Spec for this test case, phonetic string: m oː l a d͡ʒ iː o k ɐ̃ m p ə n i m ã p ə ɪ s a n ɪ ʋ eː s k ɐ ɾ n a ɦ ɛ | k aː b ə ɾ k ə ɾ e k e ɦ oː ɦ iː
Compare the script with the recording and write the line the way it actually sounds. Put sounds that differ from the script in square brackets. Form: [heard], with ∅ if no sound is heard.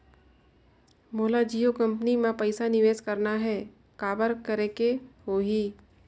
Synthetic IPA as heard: m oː l a d͡ʒ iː o k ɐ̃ m p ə n i m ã p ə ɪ s a n ɪ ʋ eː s k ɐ ɾ n a ɦ ɛ | k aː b ə ɾ k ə ɾ e k e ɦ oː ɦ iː